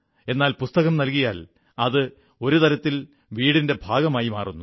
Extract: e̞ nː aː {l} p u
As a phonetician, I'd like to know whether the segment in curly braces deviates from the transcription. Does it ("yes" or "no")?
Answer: no